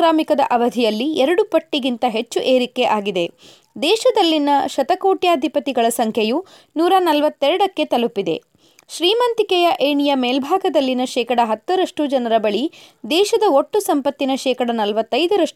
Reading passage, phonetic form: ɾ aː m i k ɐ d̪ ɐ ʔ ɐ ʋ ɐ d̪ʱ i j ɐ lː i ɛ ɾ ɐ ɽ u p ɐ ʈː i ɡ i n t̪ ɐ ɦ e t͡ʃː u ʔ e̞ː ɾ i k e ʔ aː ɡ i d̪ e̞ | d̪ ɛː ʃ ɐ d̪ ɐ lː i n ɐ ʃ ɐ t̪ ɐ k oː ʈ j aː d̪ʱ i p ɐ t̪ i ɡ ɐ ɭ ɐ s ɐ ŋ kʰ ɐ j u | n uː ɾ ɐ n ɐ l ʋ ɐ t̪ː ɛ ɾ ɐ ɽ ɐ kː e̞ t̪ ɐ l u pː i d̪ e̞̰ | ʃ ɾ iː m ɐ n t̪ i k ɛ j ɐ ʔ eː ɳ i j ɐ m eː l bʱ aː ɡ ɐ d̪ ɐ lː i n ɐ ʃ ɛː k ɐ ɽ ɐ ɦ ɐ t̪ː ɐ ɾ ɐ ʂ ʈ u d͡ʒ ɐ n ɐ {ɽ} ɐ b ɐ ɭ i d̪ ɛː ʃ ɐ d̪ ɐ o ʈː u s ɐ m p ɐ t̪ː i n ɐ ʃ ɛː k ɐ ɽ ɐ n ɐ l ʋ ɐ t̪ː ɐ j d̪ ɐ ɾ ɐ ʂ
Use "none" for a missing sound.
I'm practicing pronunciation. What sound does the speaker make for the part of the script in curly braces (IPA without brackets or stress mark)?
ɾ